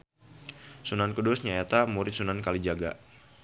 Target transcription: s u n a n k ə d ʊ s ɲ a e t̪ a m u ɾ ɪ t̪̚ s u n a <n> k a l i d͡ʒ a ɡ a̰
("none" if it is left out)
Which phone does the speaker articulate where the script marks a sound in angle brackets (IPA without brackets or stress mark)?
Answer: n